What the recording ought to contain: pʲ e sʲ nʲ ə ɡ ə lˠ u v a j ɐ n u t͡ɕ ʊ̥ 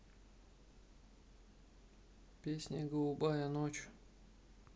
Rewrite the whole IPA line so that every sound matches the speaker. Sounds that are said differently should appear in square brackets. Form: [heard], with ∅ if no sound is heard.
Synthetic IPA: pʲ e sʲ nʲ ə ɡ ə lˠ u [b] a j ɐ n [o] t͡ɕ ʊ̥